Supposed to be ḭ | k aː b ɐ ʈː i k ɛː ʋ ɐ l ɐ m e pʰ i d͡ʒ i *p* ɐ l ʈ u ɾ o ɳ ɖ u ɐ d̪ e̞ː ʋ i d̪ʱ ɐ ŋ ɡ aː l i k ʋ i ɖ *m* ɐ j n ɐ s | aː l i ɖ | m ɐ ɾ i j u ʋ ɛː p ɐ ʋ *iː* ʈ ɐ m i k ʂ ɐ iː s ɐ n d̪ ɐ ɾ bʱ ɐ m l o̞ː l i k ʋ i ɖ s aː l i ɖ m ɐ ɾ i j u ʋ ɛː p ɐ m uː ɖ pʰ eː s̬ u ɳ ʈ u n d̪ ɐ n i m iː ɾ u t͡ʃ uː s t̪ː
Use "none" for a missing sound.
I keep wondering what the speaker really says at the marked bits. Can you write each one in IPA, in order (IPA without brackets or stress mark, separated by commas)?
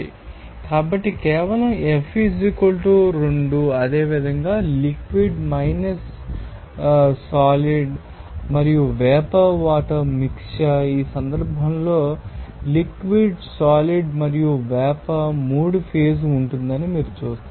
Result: k, m, aː